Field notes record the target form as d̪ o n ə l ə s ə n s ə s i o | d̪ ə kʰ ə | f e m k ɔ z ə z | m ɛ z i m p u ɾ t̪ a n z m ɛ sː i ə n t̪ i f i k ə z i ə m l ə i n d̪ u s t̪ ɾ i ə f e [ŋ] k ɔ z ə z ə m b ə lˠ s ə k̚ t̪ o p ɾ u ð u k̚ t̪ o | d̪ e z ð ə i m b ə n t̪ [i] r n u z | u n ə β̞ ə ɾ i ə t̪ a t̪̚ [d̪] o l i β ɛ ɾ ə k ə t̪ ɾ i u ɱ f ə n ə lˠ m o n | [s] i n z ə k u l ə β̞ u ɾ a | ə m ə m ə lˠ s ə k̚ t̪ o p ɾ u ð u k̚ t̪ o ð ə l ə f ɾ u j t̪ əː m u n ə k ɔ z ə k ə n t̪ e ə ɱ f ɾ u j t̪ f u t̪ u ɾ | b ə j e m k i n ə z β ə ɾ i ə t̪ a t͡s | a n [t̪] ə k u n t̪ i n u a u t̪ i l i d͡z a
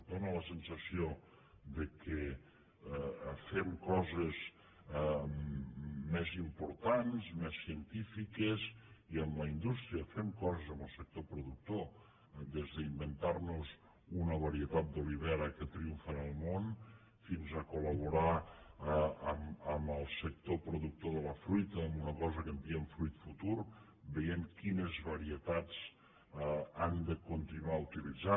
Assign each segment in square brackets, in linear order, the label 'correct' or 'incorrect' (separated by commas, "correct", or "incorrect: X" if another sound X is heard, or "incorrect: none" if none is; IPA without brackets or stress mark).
incorrect: m, incorrect: a, correct, incorrect: f, incorrect: d̪